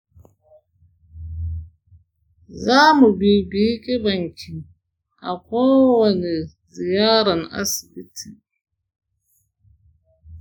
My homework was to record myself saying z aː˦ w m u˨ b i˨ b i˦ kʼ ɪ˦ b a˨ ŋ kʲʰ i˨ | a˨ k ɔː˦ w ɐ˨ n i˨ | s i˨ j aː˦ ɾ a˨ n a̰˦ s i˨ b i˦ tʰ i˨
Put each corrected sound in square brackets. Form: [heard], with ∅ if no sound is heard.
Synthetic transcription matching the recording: z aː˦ [∅] m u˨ b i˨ b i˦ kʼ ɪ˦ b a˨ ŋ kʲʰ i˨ | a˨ k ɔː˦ w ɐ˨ n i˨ | [z] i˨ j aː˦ ɾ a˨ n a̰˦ s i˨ b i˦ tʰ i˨

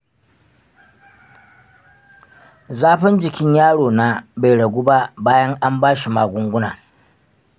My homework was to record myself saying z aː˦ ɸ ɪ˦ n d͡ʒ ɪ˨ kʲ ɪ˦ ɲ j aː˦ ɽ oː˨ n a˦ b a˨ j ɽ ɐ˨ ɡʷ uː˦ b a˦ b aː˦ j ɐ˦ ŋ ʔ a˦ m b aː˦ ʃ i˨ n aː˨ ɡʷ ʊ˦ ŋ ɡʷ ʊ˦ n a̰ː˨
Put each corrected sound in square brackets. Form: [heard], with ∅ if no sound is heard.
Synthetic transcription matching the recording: z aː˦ ɸ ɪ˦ n d͡ʒ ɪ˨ kʲ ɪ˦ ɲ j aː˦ ɽ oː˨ n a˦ b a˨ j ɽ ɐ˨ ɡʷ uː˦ b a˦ b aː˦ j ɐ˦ ŋ ʔ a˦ m b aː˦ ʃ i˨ [m] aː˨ ɡʷ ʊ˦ ŋ ɡʷ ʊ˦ n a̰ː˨

